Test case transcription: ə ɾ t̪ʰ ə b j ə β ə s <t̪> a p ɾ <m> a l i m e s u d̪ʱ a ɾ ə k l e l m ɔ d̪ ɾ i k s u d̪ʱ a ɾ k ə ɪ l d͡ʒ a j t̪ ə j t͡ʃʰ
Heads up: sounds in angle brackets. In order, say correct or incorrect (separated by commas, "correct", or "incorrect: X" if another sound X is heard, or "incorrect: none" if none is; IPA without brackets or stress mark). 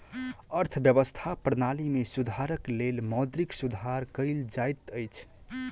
incorrect: t̪ʰ, incorrect: n